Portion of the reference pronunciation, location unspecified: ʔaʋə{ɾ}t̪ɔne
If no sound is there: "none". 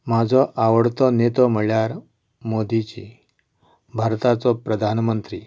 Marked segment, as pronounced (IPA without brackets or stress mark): ɽ